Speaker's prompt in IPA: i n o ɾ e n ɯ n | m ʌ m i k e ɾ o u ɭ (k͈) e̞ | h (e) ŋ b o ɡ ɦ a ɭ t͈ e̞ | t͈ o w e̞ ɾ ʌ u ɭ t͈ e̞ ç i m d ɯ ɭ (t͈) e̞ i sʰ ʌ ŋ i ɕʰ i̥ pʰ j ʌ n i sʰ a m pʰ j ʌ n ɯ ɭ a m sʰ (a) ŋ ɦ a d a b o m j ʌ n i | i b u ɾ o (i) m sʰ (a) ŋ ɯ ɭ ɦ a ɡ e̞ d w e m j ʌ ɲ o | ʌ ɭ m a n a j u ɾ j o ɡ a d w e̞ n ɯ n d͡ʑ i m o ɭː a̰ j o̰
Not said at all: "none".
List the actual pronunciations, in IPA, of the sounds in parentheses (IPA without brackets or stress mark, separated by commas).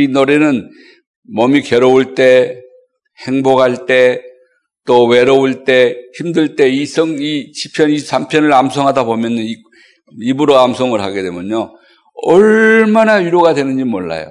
t͈, e, t͈, ʌ, a, ʌ